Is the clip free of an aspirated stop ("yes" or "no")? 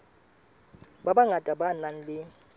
yes